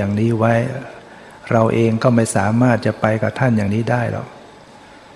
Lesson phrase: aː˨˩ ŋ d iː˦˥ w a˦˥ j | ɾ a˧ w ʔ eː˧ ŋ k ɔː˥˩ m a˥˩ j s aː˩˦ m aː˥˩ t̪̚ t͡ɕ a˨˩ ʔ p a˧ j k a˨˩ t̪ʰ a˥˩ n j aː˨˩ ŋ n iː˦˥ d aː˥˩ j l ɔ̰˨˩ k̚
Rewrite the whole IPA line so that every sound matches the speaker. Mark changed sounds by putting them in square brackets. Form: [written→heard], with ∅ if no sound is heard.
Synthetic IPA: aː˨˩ ŋ [d→n] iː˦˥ w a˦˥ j | ɾ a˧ w ʔ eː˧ ŋ k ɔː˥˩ m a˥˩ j s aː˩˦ m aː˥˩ t̪̚ t͡ɕ a˨˩ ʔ p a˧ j k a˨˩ t̪ʰ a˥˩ n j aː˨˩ ŋ n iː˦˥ d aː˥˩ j l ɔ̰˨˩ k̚